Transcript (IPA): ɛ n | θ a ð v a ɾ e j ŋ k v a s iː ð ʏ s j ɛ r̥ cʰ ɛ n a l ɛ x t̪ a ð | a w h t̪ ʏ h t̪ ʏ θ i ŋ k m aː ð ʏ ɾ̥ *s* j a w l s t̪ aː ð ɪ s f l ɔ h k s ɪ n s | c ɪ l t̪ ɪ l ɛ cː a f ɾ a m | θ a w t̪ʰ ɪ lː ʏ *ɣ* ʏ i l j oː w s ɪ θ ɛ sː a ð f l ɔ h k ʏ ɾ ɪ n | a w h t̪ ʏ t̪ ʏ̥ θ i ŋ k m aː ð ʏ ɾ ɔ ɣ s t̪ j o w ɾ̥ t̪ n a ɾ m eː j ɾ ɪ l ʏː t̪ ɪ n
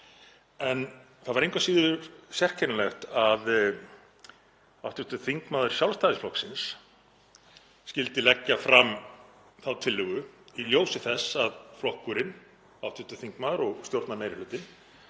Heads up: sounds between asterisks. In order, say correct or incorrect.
correct, correct

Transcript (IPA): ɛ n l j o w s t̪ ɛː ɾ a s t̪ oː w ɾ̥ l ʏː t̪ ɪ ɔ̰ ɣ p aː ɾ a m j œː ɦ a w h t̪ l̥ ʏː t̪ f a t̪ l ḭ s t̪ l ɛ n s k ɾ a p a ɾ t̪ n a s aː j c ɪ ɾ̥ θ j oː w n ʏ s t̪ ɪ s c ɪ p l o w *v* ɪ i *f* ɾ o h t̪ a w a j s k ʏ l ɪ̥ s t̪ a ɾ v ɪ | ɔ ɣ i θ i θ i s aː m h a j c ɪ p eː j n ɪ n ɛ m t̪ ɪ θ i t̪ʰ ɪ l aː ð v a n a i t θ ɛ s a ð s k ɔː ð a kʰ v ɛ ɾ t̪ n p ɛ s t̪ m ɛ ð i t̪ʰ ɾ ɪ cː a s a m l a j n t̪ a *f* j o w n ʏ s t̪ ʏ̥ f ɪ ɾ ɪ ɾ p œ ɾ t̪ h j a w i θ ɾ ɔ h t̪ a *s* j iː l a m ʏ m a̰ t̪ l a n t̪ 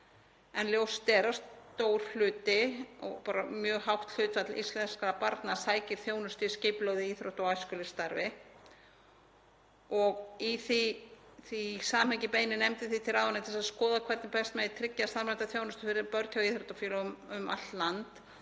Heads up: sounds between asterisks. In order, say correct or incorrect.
incorrect: ð, incorrect: θ, incorrect: θ, incorrect: f

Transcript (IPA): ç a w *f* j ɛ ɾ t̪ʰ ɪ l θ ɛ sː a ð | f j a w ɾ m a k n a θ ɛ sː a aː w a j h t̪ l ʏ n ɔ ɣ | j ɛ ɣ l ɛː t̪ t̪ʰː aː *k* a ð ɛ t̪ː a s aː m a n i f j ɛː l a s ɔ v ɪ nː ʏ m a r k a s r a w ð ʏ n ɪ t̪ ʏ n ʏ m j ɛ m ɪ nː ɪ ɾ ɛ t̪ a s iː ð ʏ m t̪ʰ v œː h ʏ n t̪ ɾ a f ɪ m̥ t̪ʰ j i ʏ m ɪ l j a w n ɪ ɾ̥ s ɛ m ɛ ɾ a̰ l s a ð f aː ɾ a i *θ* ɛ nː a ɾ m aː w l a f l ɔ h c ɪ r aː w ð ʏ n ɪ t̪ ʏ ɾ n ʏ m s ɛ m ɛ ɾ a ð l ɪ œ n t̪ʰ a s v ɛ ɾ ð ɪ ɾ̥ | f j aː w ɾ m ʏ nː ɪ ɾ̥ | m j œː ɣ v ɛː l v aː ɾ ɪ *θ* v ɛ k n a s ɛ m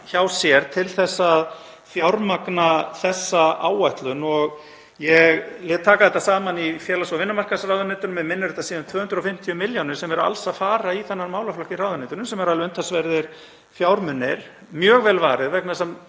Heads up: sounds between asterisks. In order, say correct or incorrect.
incorrect: s, correct, correct, incorrect: ð

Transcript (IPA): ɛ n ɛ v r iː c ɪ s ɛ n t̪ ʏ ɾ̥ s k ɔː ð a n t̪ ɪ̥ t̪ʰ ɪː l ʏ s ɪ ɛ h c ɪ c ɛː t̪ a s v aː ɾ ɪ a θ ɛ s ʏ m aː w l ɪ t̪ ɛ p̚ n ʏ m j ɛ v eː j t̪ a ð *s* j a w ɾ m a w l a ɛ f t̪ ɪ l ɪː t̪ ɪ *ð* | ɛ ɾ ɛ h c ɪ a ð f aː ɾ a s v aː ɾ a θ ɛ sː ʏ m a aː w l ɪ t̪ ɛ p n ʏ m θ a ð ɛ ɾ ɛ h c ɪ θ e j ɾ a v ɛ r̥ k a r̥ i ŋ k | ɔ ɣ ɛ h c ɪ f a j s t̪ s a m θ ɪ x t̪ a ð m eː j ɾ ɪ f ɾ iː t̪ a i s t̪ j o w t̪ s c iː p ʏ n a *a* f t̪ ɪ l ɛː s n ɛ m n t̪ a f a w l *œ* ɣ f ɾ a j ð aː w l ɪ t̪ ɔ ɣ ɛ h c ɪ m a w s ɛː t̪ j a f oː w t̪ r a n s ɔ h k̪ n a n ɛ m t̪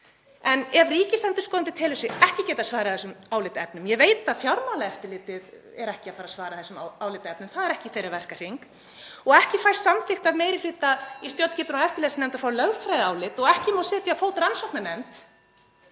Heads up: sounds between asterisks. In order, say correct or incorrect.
incorrect: f, correct, incorrect: ɛ, correct

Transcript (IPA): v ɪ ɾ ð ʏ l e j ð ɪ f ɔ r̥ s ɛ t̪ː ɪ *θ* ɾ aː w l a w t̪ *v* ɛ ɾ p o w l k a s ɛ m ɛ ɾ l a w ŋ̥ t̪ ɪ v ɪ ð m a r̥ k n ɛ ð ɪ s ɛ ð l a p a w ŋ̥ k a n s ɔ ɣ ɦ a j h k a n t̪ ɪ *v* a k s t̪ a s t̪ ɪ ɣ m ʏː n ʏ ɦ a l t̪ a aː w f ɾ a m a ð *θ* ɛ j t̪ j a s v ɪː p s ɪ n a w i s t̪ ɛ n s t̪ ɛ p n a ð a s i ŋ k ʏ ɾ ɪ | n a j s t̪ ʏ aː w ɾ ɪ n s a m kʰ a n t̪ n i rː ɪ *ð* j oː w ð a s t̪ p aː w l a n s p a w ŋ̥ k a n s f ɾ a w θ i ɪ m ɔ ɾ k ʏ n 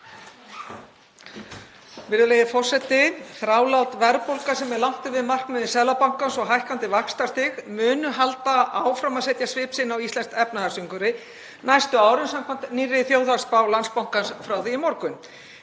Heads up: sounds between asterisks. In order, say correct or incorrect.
correct, correct, correct, incorrect: s, incorrect: θ

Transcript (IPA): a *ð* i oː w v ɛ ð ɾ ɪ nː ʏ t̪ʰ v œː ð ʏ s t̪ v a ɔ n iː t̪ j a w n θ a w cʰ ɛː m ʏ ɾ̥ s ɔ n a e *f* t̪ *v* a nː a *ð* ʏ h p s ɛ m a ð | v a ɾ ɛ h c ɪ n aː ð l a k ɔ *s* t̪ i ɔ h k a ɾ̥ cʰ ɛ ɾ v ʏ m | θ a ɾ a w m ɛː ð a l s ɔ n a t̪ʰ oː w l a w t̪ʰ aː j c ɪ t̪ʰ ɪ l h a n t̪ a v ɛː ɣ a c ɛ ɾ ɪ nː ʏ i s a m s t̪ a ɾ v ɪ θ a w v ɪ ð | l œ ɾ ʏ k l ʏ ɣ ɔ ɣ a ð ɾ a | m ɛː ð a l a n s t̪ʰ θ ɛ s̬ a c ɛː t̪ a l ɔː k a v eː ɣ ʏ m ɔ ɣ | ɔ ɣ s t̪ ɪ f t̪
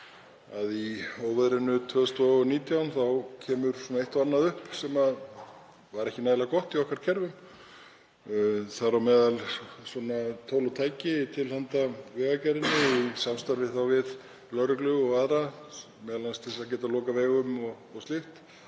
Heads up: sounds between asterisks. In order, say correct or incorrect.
correct, incorrect: h, correct, correct, incorrect: h

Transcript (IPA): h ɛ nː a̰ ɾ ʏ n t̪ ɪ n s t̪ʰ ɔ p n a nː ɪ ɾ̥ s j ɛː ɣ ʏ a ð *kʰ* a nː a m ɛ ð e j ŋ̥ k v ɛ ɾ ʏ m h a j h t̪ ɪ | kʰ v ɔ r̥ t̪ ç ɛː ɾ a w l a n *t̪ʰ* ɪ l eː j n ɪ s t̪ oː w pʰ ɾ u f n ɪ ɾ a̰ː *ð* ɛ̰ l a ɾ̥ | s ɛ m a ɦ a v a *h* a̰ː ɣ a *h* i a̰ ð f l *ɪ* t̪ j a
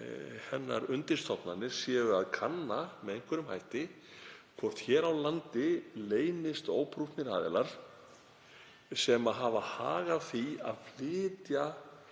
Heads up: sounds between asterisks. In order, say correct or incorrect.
correct, incorrect: t̪, correct, correct, incorrect: θ, incorrect: ɪː

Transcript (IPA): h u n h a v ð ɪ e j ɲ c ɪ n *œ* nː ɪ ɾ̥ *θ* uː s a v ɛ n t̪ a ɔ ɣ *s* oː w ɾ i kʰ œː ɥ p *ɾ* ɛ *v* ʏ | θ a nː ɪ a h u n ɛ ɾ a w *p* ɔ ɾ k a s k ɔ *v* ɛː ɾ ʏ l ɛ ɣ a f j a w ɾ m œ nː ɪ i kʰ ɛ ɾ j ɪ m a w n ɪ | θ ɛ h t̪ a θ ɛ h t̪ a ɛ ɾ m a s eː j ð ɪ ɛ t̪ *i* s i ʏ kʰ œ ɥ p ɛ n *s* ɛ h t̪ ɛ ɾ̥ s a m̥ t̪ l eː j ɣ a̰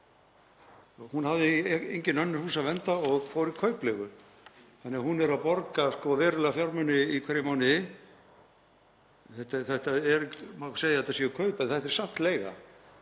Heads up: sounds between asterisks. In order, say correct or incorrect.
correct, incorrect: h, incorrect: f, incorrect: l, incorrect: ɣ, correct, correct, incorrect: a, incorrect: θ

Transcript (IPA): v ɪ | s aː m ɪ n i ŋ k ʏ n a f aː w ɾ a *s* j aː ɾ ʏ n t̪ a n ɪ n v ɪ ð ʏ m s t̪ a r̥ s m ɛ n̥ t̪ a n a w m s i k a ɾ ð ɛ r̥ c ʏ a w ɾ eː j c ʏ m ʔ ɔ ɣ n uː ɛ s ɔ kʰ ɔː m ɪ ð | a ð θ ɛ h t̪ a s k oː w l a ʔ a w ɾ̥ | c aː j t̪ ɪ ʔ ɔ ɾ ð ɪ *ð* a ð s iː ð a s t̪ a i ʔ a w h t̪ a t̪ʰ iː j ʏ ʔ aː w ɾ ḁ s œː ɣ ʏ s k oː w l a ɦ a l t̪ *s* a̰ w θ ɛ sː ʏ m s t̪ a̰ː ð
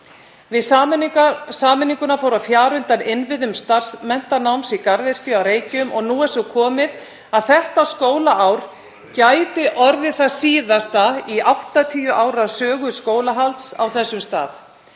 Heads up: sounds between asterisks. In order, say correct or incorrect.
incorrect: f, incorrect: θ, correct

